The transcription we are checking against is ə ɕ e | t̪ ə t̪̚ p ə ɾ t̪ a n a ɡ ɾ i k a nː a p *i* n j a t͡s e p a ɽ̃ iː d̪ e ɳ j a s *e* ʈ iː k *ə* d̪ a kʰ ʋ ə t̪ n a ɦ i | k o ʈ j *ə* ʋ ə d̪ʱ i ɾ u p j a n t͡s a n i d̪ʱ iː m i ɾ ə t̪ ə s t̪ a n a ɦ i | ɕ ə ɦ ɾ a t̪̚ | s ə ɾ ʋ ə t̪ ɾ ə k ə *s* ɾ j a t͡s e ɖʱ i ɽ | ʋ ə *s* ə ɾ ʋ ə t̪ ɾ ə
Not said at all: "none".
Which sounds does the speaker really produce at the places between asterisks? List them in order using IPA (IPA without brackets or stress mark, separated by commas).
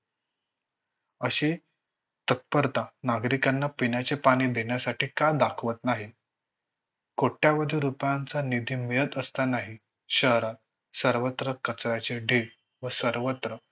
i, a, a, a, t͡s, s